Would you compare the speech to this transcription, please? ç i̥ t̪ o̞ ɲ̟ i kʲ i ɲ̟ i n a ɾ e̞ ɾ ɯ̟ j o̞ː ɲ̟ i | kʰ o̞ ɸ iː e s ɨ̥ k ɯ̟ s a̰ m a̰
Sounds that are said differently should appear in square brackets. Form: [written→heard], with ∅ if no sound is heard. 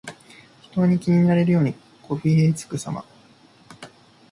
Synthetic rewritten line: ç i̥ t̪ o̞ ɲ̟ i kʲ i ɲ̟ i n a ɾ e̞ ɾ ɯ̟ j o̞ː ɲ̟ i | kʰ o̞ ɸ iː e [s→t͡s] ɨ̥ k ɯ̟ s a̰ m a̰